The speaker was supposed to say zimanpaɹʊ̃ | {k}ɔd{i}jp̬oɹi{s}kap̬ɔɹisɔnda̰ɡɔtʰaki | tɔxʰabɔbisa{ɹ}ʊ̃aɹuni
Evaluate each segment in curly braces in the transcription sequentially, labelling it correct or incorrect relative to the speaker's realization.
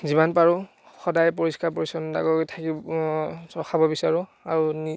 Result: incorrect, incorrect, correct, correct

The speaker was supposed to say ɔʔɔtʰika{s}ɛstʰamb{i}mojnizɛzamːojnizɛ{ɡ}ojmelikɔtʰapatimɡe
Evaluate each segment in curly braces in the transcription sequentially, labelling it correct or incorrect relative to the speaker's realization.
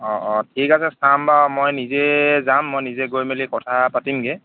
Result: correct, incorrect, correct

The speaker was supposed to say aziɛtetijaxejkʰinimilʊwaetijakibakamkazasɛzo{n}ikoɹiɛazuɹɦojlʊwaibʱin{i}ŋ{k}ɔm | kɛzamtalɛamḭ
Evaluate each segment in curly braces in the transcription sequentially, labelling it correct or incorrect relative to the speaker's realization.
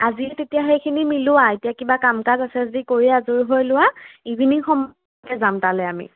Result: incorrect, correct, incorrect

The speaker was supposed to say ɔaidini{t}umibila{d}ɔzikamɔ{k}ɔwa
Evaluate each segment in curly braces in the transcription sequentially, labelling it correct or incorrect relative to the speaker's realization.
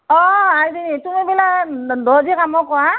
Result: correct, correct, correct

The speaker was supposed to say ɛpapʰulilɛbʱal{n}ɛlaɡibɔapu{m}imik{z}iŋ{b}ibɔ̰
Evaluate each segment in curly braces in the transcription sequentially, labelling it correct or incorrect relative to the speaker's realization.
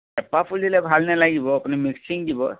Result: correct, incorrect, incorrect, incorrect

